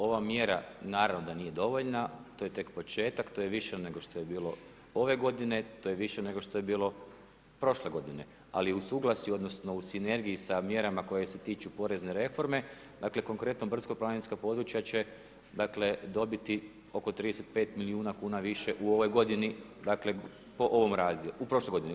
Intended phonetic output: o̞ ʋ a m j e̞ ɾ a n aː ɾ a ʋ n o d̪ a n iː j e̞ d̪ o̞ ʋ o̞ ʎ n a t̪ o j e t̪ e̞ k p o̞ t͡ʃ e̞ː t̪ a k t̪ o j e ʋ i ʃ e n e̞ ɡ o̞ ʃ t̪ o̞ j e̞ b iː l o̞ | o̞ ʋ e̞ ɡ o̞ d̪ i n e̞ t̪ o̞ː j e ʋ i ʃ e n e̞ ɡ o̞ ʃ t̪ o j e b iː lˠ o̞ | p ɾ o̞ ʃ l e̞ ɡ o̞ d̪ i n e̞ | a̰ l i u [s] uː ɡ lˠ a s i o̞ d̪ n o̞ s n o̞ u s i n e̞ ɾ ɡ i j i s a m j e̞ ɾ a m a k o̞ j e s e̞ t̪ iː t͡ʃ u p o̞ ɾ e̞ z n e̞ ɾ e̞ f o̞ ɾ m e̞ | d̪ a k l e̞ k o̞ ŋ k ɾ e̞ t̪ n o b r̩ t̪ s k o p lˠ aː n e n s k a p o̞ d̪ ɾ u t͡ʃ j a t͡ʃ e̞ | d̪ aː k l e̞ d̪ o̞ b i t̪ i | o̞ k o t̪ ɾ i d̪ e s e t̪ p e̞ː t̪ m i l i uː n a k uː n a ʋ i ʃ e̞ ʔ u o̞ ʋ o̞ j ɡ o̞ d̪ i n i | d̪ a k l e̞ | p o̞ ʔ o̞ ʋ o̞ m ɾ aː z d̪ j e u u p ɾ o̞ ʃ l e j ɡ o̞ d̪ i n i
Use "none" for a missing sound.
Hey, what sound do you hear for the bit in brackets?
s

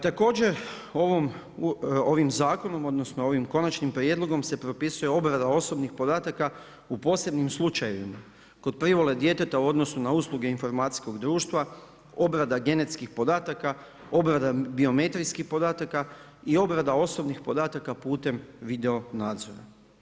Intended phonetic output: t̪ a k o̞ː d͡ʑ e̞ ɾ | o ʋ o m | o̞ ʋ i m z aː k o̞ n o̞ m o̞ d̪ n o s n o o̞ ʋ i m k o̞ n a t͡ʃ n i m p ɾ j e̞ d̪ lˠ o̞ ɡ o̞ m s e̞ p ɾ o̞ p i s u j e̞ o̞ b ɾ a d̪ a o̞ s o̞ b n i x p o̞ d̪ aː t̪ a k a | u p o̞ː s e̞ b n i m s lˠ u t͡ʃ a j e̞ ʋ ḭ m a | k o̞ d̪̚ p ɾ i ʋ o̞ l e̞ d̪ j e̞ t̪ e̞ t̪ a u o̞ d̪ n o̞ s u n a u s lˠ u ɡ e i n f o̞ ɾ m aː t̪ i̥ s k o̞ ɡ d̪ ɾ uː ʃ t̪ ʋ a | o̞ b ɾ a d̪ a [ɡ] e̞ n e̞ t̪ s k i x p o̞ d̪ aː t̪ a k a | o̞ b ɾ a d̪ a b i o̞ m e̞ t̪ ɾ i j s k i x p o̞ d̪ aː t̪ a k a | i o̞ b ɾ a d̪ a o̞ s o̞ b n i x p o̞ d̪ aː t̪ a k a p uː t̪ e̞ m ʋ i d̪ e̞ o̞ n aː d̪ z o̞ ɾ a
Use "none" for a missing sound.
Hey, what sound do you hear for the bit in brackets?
ɡ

